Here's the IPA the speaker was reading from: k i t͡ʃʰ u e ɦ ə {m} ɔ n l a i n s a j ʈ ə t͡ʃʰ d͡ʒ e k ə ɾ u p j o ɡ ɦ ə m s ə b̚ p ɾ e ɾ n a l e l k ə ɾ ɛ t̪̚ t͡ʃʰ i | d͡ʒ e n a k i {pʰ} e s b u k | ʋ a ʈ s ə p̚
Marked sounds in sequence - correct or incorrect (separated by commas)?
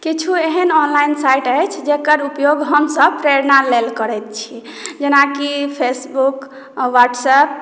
incorrect, correct